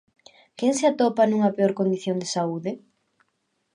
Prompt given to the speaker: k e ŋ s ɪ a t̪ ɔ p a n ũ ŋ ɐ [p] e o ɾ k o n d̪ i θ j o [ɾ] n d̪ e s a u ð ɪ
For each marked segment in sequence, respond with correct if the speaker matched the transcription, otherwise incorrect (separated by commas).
correct, incorrect